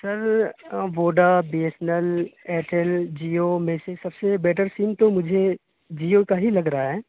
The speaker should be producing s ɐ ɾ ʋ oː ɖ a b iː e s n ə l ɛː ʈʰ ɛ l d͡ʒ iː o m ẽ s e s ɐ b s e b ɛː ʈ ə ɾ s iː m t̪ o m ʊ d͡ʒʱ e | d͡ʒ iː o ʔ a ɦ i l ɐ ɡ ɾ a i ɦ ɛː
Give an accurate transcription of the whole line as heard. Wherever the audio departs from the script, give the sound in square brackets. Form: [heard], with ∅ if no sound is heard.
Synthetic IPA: s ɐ ɾ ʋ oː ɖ a b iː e s n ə l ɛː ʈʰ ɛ l d͡ʒ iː o m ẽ s e s ɐ b s e b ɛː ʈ ə ɾ s iː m t̪ o m ʊ d͡ʒʱ e | d͡ʒ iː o [k] a ɦ i l ɐ ɡ ɾ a [a] ɦ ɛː

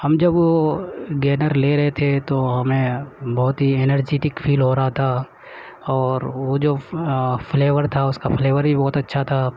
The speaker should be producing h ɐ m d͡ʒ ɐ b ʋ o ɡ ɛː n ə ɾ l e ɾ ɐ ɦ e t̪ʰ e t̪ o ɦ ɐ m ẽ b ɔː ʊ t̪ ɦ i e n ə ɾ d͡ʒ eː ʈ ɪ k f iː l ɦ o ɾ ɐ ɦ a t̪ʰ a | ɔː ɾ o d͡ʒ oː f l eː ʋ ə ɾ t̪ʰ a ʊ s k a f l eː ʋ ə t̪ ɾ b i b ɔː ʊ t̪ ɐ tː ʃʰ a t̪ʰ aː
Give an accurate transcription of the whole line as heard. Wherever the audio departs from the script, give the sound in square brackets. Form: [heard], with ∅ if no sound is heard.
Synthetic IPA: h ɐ m d͡ʒ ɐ b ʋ o ɡ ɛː n ə ɾ l e ɾ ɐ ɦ e t̪ʰ e t̪ o ɦ ɐ m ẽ b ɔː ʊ t̪ ɦ i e n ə ɾ d͡ʒ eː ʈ ɪ k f iː l ɦ o ɾ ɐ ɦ a t̪ʰ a | ɔː ɾ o d͡ʒ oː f l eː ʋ ə ɾ t̪ʰ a ʊ s k a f l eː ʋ ə [∅] ɾ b i b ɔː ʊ t̪ ɐ tː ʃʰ a t̪ʰ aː

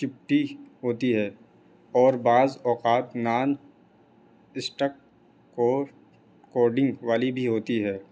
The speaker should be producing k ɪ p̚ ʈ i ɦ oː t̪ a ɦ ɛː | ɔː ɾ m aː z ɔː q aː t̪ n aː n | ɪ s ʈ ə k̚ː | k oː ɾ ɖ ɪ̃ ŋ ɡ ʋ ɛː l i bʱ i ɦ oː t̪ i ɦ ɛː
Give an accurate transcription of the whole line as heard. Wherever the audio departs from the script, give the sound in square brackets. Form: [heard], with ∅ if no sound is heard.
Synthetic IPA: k ɪ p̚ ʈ i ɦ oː t̪ [i] ɦ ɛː | ɔː ɾ [b] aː z ɔː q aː t̪ n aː n | ɪ s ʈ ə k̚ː | k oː ɾ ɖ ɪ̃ ŋ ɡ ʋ [aː] l i bʱ i ɦ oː t̪ i ɦ ɛː

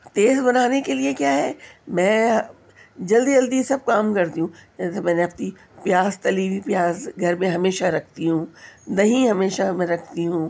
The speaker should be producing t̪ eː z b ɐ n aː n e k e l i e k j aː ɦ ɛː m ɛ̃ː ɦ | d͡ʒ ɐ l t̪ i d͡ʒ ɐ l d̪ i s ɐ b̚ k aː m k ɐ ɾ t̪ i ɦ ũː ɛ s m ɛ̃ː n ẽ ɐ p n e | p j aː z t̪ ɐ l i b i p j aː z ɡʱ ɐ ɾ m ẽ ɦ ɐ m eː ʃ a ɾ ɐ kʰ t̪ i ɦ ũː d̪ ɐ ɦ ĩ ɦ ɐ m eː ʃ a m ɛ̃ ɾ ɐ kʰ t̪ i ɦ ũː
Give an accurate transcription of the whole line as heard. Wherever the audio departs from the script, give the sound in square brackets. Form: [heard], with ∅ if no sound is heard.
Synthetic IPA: t̪ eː z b ɐ n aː n e k e l i e k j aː ɦ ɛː m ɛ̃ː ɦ | d͡ʒ ɐ l [d̪] i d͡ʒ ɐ l d̪ i s ɐ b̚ k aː m k ɐ ɾ t̪ i ɦ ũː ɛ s m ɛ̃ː n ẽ ɐ p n [i] | p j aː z t̪ ɐ l i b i p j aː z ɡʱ ɐ ɾ m ẽ ɦ ɐ m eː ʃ a ɾ ɐ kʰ t̪ i ɦ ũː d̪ ɐ ɦ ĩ ɦ ɐ m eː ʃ a m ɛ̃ ɾ ɐ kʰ t̪ i ɦ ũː

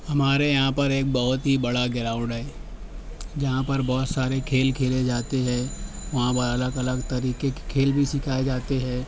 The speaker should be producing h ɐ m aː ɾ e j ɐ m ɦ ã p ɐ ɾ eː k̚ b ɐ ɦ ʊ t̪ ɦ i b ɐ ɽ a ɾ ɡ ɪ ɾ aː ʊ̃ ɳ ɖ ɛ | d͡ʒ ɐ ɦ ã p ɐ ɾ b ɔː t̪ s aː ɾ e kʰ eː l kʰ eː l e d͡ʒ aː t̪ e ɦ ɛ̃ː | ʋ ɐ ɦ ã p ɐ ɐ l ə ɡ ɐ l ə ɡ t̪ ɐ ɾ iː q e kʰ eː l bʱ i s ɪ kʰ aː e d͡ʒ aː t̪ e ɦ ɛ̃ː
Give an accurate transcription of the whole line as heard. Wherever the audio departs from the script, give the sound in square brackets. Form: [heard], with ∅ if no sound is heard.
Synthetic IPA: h ɐ m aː ɾ e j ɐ [∅] ɦ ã p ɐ ɾ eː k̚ b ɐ ɦ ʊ t̪ ɦ i b ɐ ɽ a [∅] ɡ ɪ ɾ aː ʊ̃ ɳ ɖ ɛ | d͡ʒ ɐ ɦ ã p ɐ ɾ b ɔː t̪ s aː ɾ e kʰ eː l kʰ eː l e d͡ʒ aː t̪ e ɦ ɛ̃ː | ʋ ɐ ɦ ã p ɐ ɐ l ə ɡ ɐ l ə ɡ t̪ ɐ ɾ iː [k] e kʰ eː l bʱ i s ɪ kʰ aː e d͡ʒ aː t̪ e ɦ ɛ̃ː

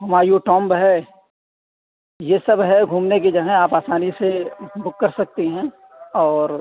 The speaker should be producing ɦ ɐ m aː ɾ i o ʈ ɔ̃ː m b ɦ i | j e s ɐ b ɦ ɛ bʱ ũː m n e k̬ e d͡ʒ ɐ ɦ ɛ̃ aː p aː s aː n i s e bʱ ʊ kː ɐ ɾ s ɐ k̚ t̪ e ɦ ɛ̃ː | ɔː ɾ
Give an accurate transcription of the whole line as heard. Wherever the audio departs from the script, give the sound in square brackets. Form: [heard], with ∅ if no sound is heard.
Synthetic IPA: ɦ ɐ m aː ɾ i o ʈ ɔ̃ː m b ɦ [ɛ] | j e s ɐ b ɦ ɛ [ɡʱ] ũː m n e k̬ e d͡ʒ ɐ ɦ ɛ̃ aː p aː s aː n i s e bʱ ʊ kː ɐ ɾ s ɐ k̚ t̪ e ɦ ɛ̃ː | ɔː ɾ

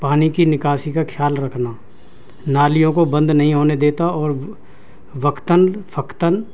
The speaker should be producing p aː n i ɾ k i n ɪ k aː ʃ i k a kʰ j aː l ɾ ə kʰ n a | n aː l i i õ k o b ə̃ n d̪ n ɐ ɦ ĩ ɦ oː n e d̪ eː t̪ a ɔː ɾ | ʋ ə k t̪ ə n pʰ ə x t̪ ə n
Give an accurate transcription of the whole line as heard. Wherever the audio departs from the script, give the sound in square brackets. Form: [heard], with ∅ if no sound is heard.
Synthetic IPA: p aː n i [∅] k i n ɪ k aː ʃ i k a kʰ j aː l ɾ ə kʰ n a | n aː l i [j] õ k o b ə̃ n d̪ n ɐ ɦ ĩ ɦ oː n e d̪ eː t̪ a ɔː ɾ | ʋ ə k t̪ ə n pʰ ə [k] t̪ ə n

